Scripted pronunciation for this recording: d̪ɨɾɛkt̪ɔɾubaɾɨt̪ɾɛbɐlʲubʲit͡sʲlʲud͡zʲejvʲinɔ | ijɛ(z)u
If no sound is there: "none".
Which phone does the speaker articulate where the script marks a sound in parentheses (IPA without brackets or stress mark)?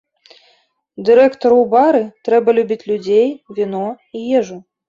ʐ